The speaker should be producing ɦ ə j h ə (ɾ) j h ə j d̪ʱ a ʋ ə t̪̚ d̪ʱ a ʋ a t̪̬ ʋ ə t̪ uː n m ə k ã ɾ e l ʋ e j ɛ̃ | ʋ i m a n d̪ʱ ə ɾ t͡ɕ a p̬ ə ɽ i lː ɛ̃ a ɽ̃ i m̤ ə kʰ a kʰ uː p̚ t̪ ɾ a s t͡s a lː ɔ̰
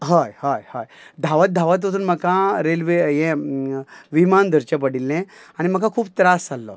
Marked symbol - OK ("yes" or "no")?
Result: no